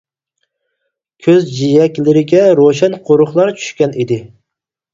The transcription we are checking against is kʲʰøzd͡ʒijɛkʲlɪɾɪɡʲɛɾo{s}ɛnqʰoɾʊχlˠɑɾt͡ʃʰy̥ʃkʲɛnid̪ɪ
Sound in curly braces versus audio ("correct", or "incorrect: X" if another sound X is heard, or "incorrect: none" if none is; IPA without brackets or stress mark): incorrect: ʃ